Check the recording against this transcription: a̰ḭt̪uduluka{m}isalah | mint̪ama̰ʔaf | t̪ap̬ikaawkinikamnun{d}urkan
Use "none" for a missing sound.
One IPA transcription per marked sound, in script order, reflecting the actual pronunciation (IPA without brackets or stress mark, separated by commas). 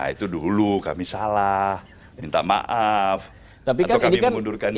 m, d